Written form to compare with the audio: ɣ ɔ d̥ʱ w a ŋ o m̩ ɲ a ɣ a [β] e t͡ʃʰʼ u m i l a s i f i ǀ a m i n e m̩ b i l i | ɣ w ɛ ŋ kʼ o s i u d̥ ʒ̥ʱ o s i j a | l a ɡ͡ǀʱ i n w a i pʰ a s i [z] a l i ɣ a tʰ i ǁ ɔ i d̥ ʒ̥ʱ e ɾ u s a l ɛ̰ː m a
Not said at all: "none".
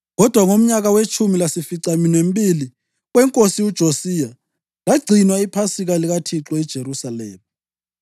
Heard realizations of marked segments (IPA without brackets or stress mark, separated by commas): w, ɣ